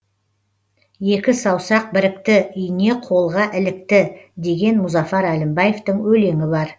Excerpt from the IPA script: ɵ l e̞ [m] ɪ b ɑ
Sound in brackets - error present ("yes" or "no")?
yes